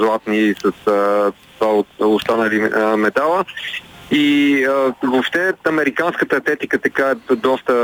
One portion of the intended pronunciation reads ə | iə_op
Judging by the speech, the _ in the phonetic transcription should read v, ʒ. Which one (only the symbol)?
v